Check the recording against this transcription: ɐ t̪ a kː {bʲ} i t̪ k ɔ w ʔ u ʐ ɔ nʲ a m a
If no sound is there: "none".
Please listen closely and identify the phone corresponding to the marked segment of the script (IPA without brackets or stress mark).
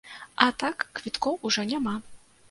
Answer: vʲ